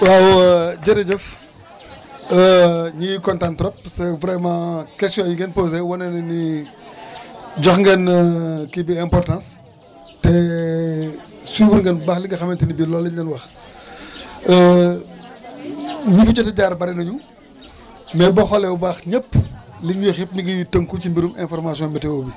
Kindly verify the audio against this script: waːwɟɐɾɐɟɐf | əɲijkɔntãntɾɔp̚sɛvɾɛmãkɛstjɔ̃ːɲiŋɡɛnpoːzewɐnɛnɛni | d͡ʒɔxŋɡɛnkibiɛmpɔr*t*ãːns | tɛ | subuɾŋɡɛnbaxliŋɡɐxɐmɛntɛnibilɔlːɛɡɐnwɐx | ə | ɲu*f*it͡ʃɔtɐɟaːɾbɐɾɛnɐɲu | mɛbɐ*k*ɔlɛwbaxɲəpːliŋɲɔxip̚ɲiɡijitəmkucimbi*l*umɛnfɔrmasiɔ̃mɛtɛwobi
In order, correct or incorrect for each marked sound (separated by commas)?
correct, correct, incorrect, incorrect